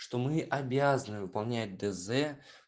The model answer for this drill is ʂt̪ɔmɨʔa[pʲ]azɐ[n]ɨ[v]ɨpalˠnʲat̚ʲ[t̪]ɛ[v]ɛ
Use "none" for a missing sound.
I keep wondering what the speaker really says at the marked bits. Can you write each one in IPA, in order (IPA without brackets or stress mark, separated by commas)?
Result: bʲ, n, v, d̪, z